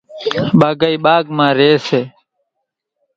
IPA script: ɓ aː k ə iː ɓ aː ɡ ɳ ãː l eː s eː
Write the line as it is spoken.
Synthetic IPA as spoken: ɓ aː ɡ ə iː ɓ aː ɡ m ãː ɾ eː s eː

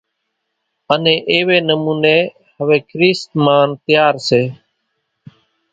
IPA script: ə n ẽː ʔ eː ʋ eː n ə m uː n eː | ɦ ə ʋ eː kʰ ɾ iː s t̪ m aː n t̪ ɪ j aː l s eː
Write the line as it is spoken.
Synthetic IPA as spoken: ə n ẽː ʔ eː ʋ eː n ə m uː n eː | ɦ ə ʋ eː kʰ ɾ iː s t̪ m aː n t̪ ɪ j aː ɾ s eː

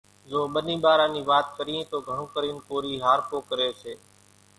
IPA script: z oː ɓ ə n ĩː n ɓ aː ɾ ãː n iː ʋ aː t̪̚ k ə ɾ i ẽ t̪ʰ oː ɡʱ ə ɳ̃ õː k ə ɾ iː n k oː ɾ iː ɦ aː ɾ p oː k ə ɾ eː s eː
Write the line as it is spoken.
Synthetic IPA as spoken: z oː ɓ ə n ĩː ɓ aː ɾ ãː n iː ʋ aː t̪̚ k ə ɾ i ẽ t̪ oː ɡʱ ə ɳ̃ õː k ə ɾ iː n k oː ɾ iː ɦ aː ɾ p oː k ə ɾ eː s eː

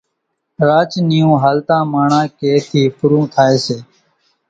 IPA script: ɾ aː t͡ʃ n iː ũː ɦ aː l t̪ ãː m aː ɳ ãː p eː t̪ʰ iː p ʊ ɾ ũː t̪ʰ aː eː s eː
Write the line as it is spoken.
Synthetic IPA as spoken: ɾ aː t͡ʃ n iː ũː ɦ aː l t̪ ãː m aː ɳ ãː k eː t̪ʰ iː p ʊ ɾ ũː t̪ʰ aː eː s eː

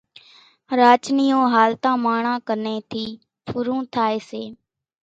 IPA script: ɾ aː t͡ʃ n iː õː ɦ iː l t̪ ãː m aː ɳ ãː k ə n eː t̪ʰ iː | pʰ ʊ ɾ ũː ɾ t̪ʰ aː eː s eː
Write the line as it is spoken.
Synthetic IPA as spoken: ɾ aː t͡ʃ n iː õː ɦ aː l t̪ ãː m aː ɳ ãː k ə n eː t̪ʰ iː | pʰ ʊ ɾ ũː t̪ʰ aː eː s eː

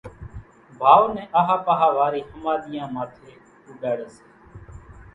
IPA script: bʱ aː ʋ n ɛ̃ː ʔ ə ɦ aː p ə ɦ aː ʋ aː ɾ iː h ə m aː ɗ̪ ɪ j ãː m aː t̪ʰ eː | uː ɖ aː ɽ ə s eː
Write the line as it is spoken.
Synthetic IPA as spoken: bʱ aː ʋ n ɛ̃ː ʔ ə ɦ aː p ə ɦ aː ʋ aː ɾ iː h ə m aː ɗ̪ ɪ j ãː m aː t̪ʰ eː | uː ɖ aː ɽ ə s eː

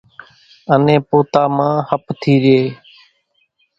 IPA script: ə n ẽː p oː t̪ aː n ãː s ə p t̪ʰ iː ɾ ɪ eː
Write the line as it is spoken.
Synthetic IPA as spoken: ə n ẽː p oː t̪ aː m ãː h ə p t̪ʰ iː ɾ ɪ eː

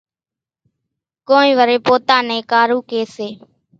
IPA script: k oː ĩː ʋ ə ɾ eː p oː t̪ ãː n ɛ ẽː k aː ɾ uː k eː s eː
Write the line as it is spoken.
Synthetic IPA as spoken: k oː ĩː ʋ ə ɾ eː p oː t̪ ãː n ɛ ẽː k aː ɾ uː k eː s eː

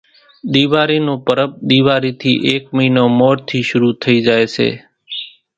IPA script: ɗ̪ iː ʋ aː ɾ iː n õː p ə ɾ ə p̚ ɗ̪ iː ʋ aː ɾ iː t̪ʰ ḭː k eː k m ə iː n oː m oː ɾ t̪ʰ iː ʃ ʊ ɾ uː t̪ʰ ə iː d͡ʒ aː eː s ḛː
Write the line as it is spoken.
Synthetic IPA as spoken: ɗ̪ iː ʋ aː ɾ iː n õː p ə ɾ ə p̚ ɗ̪ iː ʋ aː ɾ iː t̪ʰ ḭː ʔ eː k m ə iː n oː m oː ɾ t̪ʰ iː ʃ ʊ ɾ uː t̪ʰ ə iː d͡ʒ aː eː s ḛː

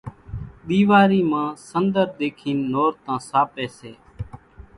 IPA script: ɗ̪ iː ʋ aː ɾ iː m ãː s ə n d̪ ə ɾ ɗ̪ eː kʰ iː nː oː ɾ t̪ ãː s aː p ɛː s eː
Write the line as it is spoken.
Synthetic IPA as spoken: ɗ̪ iː ʋ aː ɾ iː m ãː s ə n d̪ ə ɾ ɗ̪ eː kʰ iː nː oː ɾ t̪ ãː s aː p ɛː s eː

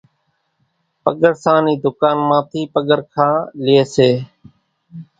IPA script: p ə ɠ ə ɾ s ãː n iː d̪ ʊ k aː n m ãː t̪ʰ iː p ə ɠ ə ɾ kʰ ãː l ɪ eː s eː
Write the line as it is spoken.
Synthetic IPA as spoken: p ə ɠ ə ɾ s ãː n iː d̪ ʊ k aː n m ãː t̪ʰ iː p ə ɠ ə ɾ kʰ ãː l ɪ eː s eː

